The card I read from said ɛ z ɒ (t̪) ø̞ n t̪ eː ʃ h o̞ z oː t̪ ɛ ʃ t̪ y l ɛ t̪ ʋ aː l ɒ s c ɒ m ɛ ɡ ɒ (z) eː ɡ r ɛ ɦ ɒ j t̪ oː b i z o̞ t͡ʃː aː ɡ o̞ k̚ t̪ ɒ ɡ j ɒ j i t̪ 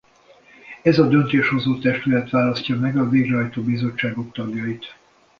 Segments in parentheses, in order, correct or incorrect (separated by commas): incorrect, incorrect